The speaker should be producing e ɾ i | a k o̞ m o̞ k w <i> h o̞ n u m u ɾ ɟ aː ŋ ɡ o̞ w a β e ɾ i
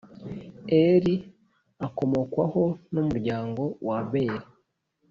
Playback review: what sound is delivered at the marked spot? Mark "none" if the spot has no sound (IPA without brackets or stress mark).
a